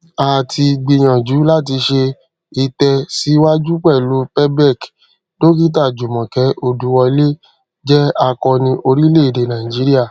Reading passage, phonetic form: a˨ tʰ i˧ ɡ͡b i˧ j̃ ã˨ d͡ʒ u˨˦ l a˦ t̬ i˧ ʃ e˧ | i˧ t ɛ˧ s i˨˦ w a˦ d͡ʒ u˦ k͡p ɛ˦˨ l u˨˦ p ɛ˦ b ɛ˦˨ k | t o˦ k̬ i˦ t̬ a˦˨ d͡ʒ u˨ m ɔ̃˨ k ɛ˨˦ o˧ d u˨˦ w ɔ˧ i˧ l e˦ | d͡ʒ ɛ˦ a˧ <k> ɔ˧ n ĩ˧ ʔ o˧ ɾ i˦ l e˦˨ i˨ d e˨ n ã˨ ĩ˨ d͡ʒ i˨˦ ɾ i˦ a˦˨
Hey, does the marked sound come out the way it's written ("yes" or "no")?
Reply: yes